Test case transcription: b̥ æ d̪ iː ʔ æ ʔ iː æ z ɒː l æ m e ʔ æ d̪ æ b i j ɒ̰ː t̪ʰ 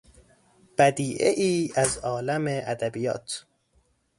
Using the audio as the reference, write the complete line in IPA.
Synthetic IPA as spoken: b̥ æ d̪ iː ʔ e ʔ iː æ z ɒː l æ m e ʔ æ d̪ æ b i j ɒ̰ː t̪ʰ